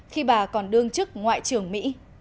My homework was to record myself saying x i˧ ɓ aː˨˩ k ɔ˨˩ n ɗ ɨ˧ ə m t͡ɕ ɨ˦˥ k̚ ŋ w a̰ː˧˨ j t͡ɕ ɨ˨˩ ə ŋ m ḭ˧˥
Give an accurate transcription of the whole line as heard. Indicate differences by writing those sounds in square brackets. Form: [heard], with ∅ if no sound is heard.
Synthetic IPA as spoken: x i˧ ɓ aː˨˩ k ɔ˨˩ n ɗ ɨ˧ ə [ŋ] t͡ɕ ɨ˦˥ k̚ ŋ w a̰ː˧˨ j t͡ɕ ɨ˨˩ ə ŋ m ḭ˧˥